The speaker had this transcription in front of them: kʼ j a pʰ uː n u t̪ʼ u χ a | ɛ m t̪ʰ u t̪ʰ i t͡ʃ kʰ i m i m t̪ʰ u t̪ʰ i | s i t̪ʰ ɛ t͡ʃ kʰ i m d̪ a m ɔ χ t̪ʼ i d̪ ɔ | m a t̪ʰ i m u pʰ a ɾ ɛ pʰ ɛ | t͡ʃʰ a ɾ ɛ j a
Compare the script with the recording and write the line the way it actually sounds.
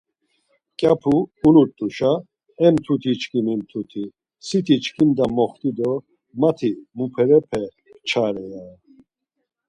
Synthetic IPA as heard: kʼ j a pʰ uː n u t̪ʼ u ʃ a | ɛ m t̪ʰ u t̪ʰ i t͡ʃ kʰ i m i m t̪ʰ u t̪ʰ i | s i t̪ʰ i t͡ʃ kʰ i m d̪ a m ɔ χ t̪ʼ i d̪ ɔ | m a t̪ʰ i m u pʰ ɛ ɾ ɛ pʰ ɛ | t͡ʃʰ a ɾ ɛ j a